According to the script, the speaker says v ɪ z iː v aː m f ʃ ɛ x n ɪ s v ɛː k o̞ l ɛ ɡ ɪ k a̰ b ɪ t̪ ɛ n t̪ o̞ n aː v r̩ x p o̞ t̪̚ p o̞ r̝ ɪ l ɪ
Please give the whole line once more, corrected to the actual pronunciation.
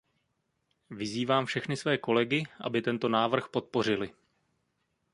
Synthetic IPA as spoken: v ɪ z iː v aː m f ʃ ɛ x n ɪ s v ɛː k o̞ l ɛ ɡ ɪ ʔ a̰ b ɪ t̪ ɛ n t̪ o̞ n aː v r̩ x p o̞ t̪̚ p o̞ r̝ ɪ l ɪ